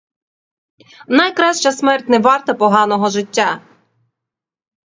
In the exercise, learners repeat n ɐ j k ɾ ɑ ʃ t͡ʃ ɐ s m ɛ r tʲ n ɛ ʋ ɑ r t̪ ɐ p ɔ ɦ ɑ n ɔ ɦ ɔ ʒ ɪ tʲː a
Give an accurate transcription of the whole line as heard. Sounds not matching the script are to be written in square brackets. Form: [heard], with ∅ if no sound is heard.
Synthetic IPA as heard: n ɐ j k ɾ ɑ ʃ t͡ʃ ɐ s m ɛ r tʲ n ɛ ʋ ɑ r t̪ ɐ p ɔ ɦ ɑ n ɔ ɦ ɔ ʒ ɪ tʲː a